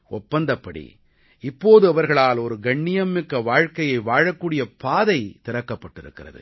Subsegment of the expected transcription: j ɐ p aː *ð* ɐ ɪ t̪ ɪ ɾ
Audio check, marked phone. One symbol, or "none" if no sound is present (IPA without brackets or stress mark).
ð